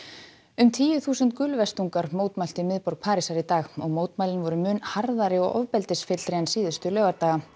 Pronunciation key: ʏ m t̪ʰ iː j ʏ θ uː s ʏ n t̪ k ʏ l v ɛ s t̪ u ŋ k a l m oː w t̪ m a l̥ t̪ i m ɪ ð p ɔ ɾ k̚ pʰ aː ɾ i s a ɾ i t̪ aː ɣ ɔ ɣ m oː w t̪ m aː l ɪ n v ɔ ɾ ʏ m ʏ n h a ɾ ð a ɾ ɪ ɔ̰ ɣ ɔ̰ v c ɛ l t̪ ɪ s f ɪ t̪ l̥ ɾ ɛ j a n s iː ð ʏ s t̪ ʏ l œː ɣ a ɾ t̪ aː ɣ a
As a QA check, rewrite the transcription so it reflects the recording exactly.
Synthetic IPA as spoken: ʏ m t̪ʰ iː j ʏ θ uː s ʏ n t̪ k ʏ l v ɛ s t̪ u ŋ k a ɾ m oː w t̪ m a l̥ t̪ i m ɪ ð p ɔ ɾ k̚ pʰ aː ɾ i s a ɾ i t̪ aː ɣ ɔ ɣ m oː w t̪ m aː l ɪ n v ɔ ɾ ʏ m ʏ n h a ɾ ð a ɾ ɪ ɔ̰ ɣ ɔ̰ v p ɛ l t̪ ɪ s f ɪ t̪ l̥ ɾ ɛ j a n s iː ð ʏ s t̪ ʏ l œː ɣ a ɾ t̪ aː ɣ a